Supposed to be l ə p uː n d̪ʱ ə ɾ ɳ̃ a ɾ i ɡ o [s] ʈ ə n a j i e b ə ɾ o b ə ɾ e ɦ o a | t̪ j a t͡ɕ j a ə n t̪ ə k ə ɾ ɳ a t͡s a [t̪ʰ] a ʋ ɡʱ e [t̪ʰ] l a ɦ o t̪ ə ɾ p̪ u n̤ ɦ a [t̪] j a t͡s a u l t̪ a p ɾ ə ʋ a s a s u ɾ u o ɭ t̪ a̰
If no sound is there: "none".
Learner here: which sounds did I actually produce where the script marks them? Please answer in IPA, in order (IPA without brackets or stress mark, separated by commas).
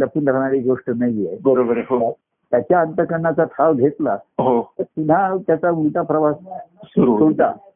ʂ, t̪ʰ, t̪, t̪